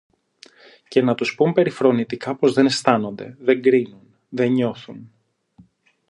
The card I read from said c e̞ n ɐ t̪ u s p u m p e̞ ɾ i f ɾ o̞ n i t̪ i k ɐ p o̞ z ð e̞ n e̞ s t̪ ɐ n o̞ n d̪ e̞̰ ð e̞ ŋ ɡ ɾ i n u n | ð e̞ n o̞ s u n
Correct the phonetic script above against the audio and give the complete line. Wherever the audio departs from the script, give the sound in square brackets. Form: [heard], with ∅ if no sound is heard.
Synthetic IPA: c e̞ n ɐ t̪ u s p u m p e̞ ɾ i f ɾ o̞ n i t̪ i k ɐ p o̞ z ð e̞ n e̞ s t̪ ɐ n o̞ n d̪ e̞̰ ð e̞ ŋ ɡ ɾ i n u n | ð e̞ [ɲ] o̞ [θ] u n